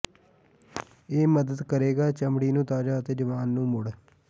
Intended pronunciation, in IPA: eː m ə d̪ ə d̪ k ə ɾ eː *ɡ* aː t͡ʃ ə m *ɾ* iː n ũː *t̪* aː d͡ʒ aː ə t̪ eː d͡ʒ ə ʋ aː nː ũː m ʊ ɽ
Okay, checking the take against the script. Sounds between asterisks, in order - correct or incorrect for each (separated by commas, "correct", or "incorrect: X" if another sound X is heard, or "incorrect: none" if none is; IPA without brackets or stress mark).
correct, incorrect: ɽ, correct